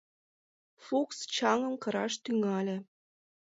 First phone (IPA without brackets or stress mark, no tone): f